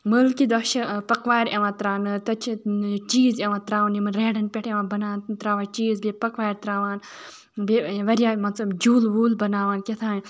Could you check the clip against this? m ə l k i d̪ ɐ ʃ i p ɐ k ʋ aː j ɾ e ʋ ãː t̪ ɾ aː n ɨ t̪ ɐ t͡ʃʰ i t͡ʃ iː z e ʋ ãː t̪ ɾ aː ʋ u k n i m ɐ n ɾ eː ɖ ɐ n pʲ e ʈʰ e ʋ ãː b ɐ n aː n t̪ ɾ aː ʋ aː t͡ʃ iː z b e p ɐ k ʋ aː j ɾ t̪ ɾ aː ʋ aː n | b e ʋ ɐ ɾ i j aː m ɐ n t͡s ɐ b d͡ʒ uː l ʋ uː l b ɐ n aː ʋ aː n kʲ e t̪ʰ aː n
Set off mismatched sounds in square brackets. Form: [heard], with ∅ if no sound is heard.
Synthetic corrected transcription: m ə l k i d̪ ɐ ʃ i p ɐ k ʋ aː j ɾ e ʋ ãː t̪ ɾ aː n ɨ t̪ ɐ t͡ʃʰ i t͡ʃ iː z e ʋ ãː t̪ ɾ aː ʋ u [∅] n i m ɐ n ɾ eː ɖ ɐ n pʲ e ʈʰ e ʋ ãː b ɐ n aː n t̪ ɾ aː ʋ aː t͡ʃ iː z b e p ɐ k ʋ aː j ɾ t̪ ɾ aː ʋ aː n | b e ʋ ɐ ɾ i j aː m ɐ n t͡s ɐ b d͡ʒ uː l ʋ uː l b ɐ n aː ʋ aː n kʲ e t̪ʰ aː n